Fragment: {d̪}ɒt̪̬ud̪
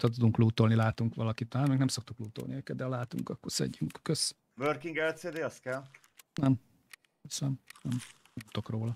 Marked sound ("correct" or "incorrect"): incorrect